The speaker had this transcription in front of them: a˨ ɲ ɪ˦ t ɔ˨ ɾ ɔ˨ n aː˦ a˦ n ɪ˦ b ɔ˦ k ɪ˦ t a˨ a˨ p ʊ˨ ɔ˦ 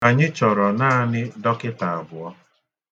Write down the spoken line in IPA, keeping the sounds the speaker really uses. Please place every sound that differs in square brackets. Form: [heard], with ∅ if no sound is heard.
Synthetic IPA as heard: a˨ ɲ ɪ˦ [t͡ʃ] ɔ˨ ɾ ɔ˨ n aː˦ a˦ n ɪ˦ [d] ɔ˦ k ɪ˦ t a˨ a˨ [b] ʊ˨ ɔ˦